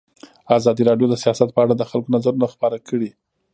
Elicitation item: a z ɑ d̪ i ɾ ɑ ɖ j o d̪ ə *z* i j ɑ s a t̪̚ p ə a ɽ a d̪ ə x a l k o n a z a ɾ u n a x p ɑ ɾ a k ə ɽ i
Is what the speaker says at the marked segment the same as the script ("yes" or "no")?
no